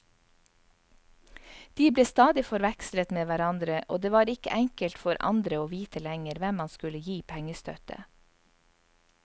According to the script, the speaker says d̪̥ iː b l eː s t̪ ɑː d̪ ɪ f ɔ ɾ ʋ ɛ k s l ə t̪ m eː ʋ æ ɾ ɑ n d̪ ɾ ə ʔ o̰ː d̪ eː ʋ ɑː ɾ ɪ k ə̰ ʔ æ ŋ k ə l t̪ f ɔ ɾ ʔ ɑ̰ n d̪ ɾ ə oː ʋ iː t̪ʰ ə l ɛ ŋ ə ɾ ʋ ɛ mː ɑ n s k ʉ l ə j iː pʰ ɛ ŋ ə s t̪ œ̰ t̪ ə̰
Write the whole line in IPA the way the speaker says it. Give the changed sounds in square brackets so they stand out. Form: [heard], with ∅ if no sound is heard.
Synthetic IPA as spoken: d̪̥ iː b l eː s t̪ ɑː d̪ ɪ f ɔ ɾ ʋ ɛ k s l ə t̪ m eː ʋ æ ɾ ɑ n d̪ ɾ ə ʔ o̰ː d̪ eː ʋ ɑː ɾ ɪ k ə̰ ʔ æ ŋ k ə l t̪ f ɔ ɾ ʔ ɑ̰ n d̪ ɾ ə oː ʋ iː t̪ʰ ə l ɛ ŋ ə ɾ ʋ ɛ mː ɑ n s k ʉ l ə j iː pʰ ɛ ŋ ə s t̪ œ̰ t̪ ə̰

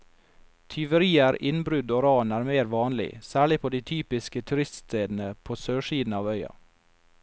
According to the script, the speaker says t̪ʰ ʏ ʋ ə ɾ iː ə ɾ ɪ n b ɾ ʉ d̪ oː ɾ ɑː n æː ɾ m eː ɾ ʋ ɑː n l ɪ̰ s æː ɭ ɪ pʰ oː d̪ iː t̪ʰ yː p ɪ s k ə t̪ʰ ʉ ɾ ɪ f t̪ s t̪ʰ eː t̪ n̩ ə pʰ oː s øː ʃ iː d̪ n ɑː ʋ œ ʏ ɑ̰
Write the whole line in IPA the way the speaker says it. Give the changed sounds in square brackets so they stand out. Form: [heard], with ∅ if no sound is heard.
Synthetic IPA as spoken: t̪ʰ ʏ ʋ ə ɾ iː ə ɾ ɪ n b ɾ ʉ d̪ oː ɾ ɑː n æː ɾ m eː ɾ ʋ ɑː n l ɪ̰ s æː ɭ ɪ pʰ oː d̪ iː t̪ʰ yː p ɪ s k ə t̪ʰ ʉ ɾ ɪ [s] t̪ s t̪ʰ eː [d̪] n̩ ə pʰ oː s øː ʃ iː d̪ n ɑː ʋ œ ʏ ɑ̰

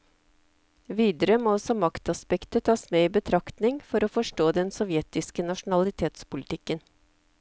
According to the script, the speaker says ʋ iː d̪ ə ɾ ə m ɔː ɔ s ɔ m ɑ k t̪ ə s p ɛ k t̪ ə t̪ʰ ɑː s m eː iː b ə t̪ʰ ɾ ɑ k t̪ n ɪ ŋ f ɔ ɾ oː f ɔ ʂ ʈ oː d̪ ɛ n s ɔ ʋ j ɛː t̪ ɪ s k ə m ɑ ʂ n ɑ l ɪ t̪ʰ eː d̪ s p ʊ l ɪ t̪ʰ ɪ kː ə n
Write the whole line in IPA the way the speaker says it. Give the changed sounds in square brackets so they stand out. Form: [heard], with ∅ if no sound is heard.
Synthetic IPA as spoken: ʋ iː d̪ ə ɾ ə m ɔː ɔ s ɔ m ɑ k t̪ [ɑ] s p ɛ k t̪ ə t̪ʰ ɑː s m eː iː b ə t̪ʰ ɾ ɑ k t̪ n ɪ ŋ f ɔ ɾ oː f ɔ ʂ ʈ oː d̪ ɛ n s ɔ ʋ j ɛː t̪ ɪ s k ə [n] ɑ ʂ n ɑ l ɪ t̪ʰ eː [t̪] s p ʊ l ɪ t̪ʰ ɪ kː ə n

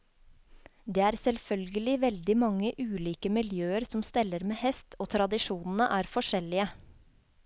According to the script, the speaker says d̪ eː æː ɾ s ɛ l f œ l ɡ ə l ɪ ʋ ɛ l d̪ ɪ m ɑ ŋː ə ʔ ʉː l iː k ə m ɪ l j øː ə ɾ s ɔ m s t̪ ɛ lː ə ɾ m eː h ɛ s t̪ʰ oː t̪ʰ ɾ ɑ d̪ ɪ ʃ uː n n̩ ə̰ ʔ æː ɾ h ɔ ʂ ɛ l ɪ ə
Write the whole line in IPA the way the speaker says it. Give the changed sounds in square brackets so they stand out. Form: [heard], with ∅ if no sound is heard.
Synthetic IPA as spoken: d̪ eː æː ɾ s ɛ l f œ l ɡ ə l ɪ ʋ ɛ l d̪ ɪ m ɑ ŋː ə ʔ ʉː l iː k ə m ɪ l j øː ə ɾ s ɔ m s t̪ ɛ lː ə ɾ m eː h ɛ s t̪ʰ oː t̪ʰ ɾ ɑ d̪ ɪ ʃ uː n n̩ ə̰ ʔ æː ɾ [f] ɔ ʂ ɛ l ɪ ə

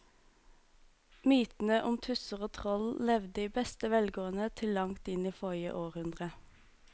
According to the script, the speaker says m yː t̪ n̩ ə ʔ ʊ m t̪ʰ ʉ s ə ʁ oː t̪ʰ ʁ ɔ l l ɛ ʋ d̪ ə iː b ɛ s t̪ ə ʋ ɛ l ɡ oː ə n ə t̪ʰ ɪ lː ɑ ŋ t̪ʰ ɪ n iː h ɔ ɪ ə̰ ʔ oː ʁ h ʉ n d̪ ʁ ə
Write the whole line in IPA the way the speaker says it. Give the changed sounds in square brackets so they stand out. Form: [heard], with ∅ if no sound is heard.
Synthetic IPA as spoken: m yː t̪ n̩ ə ʔ ʊ m t̪ʰ ʉ s ə ʁ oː t̪ʰ ʁ ɔ l l ɛ ʋ d̪ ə iː b ɛ s t̪ ə ʋ ɛ l ɡ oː ə n ə t̪ʰ ɪ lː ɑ ŋ [t̪] ɪ n iː [f] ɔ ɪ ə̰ ʔ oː ʁ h ʉ n d̪ ʁ ə

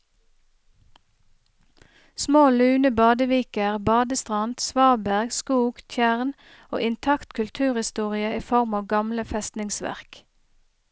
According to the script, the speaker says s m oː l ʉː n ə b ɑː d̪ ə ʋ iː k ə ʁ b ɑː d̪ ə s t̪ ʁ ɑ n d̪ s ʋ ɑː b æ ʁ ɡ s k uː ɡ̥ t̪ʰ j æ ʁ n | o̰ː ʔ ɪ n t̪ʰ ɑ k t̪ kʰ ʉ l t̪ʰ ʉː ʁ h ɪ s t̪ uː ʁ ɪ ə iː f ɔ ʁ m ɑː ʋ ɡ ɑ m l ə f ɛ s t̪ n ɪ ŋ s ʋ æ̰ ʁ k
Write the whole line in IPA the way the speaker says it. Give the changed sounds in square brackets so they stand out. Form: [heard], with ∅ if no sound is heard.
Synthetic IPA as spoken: s m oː l ʉː n ə b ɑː d̪ ə ʋ iː k ə ʁ b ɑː d̪ ə s t̪ ʁ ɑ n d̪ s ʋ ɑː b æ ʁ ɡ s k uː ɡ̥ t̪ʰ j æ ʁ n | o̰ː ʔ ɪ n t̪ʰ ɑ k t̪ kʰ ʉ l t̪ʰ ʉː ʁ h ɪ s t̪ uː ʁ ɪ ə iː f ɔ ʁ m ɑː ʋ ɡ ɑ m l ə f ɛ s t̪ n ɪ ŋ s ʋ æ̰ ʁ k

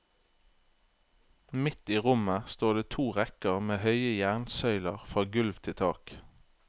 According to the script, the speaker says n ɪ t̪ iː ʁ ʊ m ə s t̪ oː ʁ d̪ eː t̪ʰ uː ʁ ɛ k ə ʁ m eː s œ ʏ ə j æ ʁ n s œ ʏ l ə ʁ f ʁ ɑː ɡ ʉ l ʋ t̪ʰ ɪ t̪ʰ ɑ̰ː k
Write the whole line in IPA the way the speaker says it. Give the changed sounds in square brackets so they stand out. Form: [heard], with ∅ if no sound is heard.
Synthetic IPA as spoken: [m] ɪ t̪ iː ʁ ʊ m ə s t̪ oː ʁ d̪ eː t̪ʰ uː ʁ ɛ k ə ʁ m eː [h] œ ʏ ə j æ ʁ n s œ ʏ l ə ʁ f ʁ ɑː ɡ ʉ l ʋ t̪ʰ ɪ t̪ʰ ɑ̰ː k

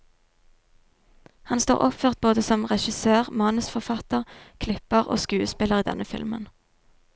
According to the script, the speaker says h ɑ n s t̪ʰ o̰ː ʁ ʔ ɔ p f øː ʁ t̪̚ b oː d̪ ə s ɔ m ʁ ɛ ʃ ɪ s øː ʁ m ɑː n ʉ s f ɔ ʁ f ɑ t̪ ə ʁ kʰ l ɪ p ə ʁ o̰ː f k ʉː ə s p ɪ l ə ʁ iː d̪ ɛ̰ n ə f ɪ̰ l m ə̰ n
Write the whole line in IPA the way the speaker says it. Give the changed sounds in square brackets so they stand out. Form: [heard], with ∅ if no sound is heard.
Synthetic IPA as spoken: h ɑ n s [t̪] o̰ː ʁ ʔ ɔ p f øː ʁ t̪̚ b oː d̪ ə s ɔ m ʁ ɛ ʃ ɪ s øː ʁ m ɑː n ʉ s f ɔ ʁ f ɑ t̪ ə ʁ kʰ l ɪ p ə ʁ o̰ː [s] k ʉː ə s p ɪ l ə ʁ iː d̪ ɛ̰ n ə f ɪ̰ l m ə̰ n

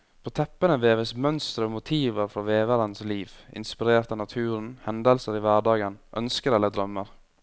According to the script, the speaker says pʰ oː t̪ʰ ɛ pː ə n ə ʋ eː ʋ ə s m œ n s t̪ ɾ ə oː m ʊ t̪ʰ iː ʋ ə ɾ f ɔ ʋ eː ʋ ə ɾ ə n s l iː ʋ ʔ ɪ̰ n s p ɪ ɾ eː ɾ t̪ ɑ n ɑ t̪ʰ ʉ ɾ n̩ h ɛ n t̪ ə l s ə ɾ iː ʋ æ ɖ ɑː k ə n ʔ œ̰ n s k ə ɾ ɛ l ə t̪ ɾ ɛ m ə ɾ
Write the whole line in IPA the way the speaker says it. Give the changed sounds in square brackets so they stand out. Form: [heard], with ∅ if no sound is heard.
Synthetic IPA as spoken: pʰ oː t̪ʰ ɛ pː ə n ə ʋ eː ʋ ə s m œ n s t̪ ɾ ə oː m ʊ t̪ʰ iː ʋ ə ɾ f ɔ ʋ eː ʋ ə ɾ ə n s l iː ʋ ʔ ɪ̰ n s p ɪ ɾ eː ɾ t̪ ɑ n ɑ t̪ʰ [ʉː] ɾ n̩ h ɛ n [d̪] ə l s ə ɾ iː ʋ æ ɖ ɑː [ɡ] ə n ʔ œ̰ n s k ə ɾ ɛ l ə [d̪] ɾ [œ] m ə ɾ

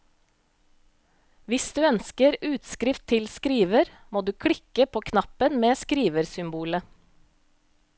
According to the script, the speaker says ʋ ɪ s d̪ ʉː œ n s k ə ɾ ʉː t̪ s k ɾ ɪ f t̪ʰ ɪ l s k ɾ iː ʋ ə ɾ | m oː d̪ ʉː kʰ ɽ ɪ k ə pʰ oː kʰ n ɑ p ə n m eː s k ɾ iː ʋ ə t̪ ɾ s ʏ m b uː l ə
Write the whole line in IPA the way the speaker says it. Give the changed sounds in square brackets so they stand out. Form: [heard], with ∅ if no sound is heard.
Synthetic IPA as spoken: ʋ ɪ s d̪ ʉː œ n s k ə ɾ ʉː t̪ s k ɾ ɪ f t̪ʰ ɪ l s k ɾ iː ʋ ə ɾ | m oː d̪ ʉː kʰ ɽ ɪ k ə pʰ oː kʰ n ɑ p ə n m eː s k ɾ iː ʋ ə [∅] ɾ s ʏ m b uː l ə

